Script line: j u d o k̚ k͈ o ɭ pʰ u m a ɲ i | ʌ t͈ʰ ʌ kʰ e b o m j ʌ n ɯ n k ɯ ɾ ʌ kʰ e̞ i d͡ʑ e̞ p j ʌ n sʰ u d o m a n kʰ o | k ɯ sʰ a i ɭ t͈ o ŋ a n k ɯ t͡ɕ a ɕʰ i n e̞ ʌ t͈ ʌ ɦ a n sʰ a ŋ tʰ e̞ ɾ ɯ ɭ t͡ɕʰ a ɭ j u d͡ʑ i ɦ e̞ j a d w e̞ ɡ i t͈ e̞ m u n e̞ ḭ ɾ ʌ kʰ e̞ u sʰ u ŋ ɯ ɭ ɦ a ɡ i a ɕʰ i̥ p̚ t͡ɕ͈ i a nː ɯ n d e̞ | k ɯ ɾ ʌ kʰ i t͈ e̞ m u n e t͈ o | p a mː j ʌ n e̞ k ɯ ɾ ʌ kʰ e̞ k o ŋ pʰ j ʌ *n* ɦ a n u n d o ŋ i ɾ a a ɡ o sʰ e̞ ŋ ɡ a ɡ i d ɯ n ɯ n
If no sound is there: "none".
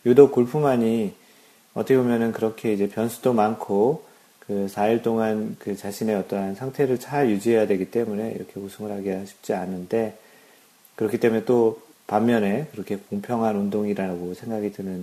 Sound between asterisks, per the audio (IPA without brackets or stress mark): ŋ